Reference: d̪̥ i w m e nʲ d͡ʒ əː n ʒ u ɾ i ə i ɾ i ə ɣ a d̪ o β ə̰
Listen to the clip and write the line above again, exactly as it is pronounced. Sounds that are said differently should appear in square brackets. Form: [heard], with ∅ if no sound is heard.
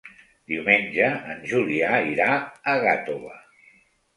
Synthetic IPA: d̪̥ i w m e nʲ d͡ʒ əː n ʒ u [l] i [a] i ɾ [a] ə ɣ a [t̪] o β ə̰